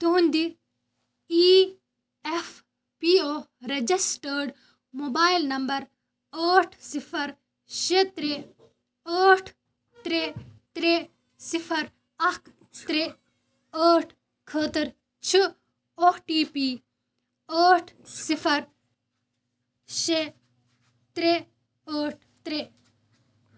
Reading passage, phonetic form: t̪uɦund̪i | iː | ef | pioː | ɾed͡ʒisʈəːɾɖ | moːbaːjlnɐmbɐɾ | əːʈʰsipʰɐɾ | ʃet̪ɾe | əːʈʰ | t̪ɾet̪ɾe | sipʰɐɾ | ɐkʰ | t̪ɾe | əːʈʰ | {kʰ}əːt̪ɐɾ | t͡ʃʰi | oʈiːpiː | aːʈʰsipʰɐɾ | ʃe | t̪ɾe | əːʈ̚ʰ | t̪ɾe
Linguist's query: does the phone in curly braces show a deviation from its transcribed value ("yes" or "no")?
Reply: no